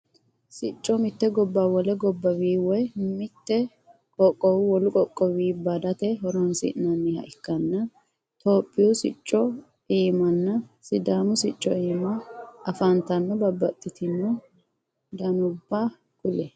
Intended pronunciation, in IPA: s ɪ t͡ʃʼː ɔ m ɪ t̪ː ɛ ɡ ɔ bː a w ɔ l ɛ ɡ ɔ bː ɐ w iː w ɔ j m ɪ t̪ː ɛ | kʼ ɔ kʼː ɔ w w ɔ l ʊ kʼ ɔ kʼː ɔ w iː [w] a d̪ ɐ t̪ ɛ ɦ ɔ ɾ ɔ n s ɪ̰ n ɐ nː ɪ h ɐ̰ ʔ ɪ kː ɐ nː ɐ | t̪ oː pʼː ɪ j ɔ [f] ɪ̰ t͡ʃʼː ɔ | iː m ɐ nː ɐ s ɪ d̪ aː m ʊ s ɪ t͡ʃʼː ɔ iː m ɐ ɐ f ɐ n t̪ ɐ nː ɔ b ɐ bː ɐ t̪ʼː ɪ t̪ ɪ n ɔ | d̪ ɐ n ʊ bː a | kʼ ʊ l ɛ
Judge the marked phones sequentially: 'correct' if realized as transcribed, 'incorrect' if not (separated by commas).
incorrect, incorrect